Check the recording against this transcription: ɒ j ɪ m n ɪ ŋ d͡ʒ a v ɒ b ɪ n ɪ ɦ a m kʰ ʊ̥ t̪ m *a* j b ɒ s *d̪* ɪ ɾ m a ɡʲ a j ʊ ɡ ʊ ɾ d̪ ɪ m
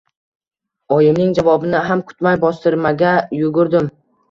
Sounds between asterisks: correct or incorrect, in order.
correct, incorrect: t̪

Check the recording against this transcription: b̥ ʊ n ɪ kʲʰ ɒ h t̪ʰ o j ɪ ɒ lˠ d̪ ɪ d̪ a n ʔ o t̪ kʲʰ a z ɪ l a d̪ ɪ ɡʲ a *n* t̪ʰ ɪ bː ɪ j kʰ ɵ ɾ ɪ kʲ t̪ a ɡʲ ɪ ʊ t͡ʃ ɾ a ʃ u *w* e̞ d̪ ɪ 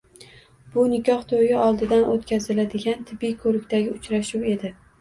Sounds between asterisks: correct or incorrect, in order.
correct, correct

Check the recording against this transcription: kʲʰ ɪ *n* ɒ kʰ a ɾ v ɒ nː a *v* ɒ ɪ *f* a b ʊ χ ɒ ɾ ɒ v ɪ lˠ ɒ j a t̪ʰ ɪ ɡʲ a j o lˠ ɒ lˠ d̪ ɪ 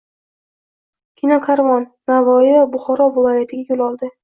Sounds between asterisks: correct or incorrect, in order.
correct, correct, incorrect: v

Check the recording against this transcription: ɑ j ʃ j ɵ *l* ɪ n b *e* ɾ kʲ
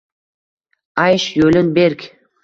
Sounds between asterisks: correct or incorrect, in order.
correct, correct

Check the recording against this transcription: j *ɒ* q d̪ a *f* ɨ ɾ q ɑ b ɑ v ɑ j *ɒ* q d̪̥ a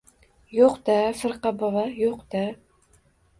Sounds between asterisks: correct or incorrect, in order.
incorrect: o, correct, incorrect: o

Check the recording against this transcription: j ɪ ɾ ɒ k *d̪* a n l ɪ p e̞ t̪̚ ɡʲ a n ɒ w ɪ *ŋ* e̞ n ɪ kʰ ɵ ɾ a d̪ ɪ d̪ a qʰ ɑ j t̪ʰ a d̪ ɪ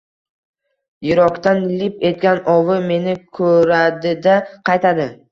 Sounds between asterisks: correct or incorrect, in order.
incorrect: t̪, incorrect: m

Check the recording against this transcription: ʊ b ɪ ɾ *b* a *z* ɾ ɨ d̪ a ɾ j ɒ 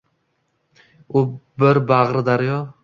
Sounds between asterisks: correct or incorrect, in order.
correct, incorrect: ʁ

